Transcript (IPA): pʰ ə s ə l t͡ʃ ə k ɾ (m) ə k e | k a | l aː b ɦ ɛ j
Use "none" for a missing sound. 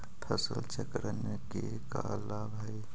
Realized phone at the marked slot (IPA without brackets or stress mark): n